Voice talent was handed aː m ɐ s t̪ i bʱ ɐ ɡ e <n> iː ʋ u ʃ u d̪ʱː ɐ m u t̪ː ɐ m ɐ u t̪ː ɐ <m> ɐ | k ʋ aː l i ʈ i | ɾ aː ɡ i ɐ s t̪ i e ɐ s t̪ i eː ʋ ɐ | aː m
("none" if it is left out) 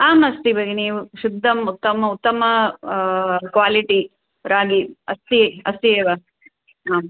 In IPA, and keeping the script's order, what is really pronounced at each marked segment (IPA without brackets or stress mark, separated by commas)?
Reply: n, m